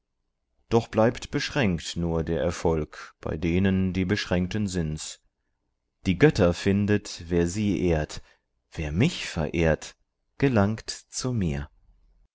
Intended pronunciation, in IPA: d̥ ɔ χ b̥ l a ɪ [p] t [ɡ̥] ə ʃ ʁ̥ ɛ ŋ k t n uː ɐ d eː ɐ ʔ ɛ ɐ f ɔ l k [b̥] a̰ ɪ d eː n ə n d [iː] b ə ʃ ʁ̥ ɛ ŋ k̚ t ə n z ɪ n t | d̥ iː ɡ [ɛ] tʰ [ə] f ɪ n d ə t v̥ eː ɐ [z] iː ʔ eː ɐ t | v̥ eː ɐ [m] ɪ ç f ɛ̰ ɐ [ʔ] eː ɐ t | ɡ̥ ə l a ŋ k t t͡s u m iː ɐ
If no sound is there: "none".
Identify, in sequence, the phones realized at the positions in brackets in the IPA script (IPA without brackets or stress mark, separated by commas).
p, b̥, b̥, iː, œ, ɐ, z, m, ʔ